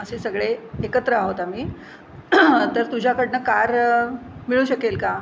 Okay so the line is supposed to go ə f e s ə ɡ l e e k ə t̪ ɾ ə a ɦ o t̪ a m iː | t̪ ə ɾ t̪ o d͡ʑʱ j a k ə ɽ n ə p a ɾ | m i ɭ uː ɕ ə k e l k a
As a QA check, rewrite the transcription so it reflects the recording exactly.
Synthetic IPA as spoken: ə s e s ə ɡ ɭ e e k ə t̪ ɾ ə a ɦ o t̪ a m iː | t̪ ə ɾ t̪ u d͡ʑʱ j a k ə ɽ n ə k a ɾ | m i ɭ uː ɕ ə k e l k a